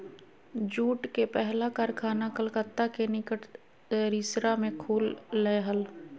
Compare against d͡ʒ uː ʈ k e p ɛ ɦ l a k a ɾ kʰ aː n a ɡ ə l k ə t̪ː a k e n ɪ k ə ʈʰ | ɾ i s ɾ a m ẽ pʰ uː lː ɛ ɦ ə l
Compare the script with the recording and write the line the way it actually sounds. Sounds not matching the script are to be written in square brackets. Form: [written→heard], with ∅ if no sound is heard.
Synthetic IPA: d͡ʒ uː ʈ k e p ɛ ɦ l a k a ɾ kʰ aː n a [ɡ→k] ə l k ə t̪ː a k e n ɪ k ə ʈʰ | ɾ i s ɾ a m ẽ [pʰ→kʰ] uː lː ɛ ɦ ə l